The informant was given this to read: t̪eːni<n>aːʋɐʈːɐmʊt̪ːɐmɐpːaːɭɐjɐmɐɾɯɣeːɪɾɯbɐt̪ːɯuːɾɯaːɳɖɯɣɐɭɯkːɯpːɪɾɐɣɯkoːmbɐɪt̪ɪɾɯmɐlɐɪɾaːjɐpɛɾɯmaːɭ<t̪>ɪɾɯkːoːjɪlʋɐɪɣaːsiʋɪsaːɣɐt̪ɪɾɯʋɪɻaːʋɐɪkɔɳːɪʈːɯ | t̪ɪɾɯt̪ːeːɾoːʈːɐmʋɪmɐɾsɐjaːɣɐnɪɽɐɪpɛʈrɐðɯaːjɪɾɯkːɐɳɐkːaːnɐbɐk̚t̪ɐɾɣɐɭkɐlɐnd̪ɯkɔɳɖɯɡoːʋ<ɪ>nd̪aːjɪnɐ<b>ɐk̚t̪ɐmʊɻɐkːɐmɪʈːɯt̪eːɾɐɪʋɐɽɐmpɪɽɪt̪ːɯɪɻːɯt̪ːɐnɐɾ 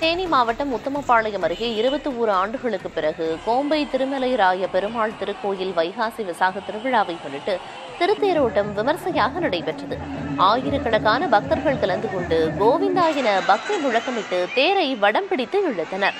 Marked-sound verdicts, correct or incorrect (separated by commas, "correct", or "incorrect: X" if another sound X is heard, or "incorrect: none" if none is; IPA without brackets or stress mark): incorrect: m, correct, correct, correct